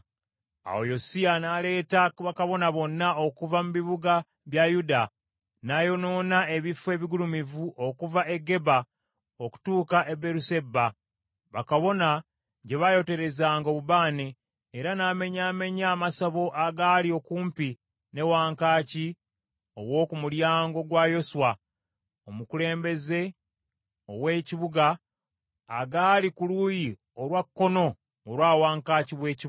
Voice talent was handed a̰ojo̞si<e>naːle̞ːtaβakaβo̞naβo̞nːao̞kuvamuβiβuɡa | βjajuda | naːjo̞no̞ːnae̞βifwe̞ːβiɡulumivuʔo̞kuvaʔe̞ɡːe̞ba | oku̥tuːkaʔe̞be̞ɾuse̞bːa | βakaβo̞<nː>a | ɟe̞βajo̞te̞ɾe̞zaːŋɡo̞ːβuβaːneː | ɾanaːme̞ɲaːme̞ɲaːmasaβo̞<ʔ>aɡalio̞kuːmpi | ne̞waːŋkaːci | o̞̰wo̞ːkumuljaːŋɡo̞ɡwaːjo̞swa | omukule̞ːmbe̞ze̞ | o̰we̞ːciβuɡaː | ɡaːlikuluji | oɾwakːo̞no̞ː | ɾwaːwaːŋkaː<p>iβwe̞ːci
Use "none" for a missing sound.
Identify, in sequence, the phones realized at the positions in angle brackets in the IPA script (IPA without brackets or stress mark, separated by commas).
a, n, ʔ, c